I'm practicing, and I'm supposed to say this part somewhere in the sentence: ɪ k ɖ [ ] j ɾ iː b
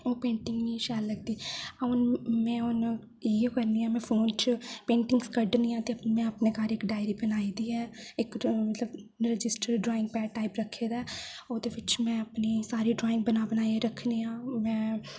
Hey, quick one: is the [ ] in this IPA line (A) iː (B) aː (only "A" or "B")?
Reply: B